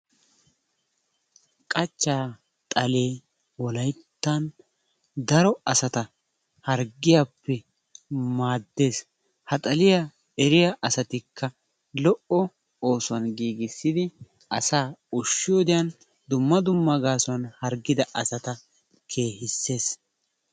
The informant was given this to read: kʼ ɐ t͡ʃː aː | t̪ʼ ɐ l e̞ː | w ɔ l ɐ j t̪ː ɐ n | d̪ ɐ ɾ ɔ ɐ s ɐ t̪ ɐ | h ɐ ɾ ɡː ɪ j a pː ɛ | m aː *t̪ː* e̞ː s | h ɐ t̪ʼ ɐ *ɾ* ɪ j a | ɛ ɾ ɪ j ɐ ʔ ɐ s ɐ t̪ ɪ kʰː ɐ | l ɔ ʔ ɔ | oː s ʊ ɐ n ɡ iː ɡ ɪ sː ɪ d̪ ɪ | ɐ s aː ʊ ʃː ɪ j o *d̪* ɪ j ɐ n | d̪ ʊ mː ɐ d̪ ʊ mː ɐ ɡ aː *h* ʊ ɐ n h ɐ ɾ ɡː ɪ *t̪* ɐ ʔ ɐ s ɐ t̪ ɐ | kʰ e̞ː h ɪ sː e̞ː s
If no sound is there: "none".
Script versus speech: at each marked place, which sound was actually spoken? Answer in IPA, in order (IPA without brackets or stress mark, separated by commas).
d̪ː, l, d̪, s, d̪